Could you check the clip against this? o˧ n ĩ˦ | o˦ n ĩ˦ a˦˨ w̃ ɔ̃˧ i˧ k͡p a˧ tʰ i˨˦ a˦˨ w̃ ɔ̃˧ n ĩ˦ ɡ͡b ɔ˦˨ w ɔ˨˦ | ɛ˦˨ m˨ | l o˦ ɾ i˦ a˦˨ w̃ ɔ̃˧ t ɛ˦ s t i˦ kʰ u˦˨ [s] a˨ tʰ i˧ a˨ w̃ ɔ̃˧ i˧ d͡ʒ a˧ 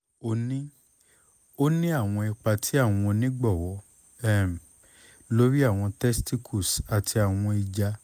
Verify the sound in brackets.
correct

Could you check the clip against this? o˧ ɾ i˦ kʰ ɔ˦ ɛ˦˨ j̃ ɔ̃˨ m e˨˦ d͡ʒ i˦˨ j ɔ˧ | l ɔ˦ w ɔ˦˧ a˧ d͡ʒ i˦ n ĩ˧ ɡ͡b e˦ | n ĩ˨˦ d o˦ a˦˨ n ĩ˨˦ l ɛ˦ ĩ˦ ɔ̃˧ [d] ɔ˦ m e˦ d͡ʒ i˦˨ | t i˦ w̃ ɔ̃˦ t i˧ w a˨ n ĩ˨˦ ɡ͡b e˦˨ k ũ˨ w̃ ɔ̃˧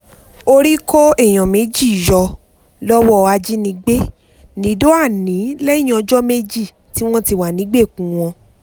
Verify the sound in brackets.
incorrect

